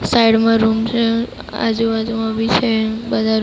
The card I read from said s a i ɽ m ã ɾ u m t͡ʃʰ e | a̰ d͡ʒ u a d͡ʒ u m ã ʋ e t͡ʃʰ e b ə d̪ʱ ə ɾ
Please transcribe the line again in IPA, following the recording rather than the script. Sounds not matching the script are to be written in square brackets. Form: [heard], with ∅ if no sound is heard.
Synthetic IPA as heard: s a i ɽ m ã ɾ u m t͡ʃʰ e | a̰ d͡ʒ u a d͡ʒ u m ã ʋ [i] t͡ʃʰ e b ə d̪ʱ [a] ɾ